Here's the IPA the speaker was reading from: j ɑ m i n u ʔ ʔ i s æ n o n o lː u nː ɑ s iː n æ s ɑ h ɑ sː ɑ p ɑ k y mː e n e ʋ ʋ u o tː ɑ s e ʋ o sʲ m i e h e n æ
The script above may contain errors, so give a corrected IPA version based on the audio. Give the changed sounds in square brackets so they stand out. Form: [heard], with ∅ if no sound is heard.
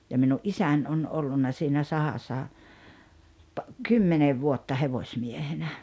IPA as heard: j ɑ m i n u ʔ ʔ i s æ n o n o lː u nː ɑ s iː n æ s ɑ h ɑ sː ɑ p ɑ k y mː e n e ʋ ʋ u o tː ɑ [h] e ʋ o sʲ m i e h e n æ